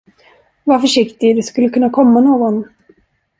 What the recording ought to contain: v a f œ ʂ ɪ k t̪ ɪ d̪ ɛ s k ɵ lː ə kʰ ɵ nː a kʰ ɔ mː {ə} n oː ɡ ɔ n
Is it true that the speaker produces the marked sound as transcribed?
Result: no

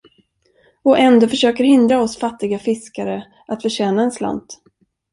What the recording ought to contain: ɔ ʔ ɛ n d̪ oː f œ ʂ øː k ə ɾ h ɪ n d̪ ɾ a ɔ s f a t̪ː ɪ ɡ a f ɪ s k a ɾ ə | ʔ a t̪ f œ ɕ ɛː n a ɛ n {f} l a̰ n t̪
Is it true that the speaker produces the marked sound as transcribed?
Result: no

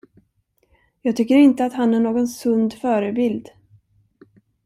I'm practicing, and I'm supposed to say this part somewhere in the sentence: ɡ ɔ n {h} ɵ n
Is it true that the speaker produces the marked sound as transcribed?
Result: no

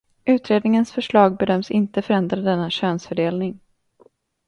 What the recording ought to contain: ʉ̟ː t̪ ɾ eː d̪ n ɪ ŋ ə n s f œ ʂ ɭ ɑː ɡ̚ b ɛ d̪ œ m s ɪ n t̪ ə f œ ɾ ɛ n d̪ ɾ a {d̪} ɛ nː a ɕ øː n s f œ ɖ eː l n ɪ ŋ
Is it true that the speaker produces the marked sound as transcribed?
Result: yes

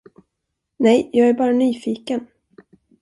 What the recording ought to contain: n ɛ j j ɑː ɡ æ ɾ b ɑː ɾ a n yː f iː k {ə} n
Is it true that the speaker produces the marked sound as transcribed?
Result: yes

